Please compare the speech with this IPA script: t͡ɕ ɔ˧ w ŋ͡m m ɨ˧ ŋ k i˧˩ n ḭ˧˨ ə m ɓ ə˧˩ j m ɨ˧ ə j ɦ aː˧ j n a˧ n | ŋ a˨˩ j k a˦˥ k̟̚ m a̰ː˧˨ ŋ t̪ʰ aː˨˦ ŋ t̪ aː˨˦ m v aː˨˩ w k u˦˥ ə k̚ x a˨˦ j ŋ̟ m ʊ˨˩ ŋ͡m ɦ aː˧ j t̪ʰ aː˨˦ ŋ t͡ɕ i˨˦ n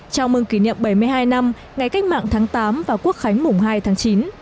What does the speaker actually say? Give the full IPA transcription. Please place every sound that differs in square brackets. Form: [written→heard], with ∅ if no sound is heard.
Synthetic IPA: t͡ɕ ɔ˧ w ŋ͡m m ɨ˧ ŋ k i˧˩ n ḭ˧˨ ə m ɓ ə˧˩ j m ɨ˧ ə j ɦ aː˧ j n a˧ [n→m] | ŋ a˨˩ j k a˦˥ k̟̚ m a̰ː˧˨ ŋ t̪ʰ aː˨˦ ŋ t̪ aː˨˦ m v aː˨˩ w k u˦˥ ə k̚ x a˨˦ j ŋ̟ m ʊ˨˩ ŋ͡m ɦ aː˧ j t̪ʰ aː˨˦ ŋ t͡ɕ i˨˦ n